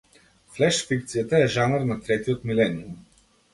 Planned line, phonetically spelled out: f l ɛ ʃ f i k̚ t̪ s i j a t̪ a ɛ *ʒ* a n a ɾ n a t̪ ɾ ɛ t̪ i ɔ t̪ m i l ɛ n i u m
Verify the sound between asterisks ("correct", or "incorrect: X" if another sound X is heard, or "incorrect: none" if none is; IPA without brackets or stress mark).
correct